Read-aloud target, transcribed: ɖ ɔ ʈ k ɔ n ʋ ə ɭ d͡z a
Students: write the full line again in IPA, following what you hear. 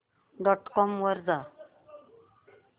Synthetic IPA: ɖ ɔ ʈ k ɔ m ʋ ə ɾ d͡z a